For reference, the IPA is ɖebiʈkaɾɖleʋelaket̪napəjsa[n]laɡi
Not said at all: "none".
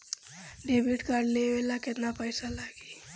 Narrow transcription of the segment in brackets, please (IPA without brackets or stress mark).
none